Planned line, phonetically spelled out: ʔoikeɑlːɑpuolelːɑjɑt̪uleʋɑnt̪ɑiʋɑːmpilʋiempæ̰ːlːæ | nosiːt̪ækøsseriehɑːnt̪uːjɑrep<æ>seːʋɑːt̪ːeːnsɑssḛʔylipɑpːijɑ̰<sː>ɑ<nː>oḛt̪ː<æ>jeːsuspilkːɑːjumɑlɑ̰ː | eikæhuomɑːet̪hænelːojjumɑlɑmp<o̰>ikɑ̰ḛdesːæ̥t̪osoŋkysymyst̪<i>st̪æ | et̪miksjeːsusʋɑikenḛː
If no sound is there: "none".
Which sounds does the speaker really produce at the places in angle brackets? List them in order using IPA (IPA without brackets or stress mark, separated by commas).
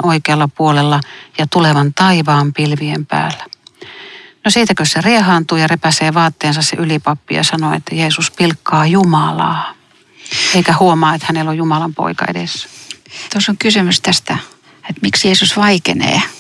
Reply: æ, s, n, æ, o̰, æ